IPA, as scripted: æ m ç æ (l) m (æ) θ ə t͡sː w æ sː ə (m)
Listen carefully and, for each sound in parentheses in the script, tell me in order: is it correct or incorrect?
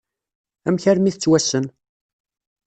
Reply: incorrect, incorrect, incorrect

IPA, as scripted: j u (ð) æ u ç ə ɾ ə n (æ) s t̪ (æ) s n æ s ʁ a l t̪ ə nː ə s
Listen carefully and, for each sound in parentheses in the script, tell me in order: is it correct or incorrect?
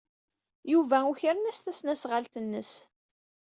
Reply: incorrect, correct, correct

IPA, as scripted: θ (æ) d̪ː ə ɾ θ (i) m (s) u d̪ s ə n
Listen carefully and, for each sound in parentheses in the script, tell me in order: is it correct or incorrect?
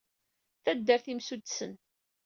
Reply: correct, correct, correct

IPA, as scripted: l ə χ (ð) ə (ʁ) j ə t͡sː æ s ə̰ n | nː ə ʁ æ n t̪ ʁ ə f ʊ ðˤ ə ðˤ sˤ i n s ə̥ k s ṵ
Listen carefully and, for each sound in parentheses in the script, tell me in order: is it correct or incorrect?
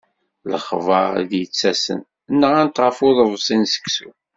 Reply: incorrect, incorrect

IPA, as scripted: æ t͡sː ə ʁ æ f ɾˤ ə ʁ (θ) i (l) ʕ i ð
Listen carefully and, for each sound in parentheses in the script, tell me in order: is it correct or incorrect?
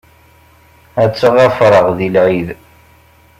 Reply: incorrect, correct

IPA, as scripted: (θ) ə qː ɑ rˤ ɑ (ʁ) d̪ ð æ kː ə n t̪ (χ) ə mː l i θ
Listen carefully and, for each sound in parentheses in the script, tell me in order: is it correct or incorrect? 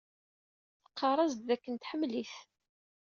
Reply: correct, incorrect, incorrect

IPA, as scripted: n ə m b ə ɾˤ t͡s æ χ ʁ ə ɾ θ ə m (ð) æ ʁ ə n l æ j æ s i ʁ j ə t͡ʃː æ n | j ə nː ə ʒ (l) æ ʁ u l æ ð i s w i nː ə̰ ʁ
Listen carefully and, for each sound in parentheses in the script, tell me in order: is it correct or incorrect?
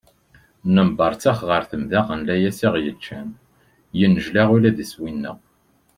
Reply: correct, correct

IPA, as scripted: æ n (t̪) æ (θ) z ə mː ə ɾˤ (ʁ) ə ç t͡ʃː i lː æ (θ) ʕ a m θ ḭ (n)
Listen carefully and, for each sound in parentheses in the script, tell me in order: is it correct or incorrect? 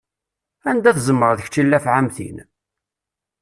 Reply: incorrect, correct, incorrect, incorrect, correct

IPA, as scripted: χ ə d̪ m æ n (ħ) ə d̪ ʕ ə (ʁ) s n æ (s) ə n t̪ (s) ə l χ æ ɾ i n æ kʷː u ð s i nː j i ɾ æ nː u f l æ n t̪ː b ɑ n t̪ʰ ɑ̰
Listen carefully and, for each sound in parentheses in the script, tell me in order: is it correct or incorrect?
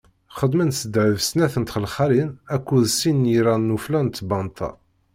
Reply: incorrect, incorrect, incorrect, incorrect

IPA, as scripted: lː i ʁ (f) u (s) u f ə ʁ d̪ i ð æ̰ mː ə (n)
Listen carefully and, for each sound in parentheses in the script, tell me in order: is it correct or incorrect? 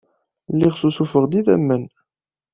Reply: incorrect, correct, correct

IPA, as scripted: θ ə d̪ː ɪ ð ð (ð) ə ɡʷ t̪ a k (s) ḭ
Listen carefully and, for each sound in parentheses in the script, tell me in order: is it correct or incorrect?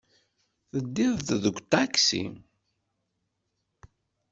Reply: correct, correct

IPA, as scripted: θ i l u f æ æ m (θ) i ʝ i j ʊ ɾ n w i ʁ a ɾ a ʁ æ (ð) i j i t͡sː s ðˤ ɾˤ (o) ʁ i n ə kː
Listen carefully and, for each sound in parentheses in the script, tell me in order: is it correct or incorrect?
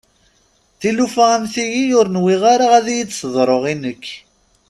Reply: correct, correct, correct

